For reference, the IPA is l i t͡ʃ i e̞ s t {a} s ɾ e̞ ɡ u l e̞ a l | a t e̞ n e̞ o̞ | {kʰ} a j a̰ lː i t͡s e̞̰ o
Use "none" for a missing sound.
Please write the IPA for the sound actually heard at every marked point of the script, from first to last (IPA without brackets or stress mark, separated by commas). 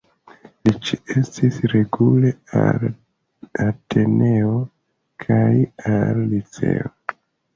i, kʰ